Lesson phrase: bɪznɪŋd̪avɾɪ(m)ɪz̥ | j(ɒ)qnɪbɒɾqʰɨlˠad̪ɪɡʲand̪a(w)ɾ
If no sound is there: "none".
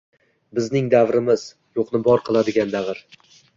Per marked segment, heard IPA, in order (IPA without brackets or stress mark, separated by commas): m, o, v